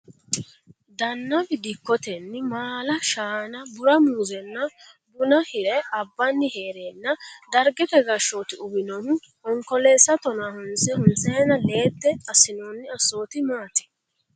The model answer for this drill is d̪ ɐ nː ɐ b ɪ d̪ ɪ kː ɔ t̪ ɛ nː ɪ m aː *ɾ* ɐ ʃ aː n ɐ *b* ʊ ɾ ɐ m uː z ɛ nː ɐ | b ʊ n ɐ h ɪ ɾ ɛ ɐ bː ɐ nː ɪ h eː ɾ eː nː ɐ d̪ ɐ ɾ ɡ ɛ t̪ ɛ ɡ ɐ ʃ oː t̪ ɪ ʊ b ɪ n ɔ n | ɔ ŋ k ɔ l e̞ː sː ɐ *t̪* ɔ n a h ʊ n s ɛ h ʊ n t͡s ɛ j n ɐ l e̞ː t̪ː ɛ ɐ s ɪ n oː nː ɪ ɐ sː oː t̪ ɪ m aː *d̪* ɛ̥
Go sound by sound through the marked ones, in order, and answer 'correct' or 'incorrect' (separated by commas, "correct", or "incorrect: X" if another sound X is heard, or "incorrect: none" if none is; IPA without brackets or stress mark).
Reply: incorrect: l, correct, correct, incorrect: t̪